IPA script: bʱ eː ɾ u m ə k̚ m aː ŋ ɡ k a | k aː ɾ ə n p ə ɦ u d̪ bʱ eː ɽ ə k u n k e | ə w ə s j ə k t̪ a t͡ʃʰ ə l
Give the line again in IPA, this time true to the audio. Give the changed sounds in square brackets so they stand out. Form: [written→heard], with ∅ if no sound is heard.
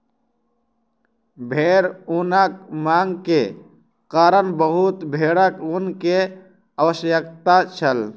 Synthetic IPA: bʱ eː ɾ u [m→n] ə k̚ m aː ŋ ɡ k [a→e] | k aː ɾ ə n [p→b] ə ɦ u [d̪→t̪] bʱ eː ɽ ə k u n k e | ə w ə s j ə k t̪ a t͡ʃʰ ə l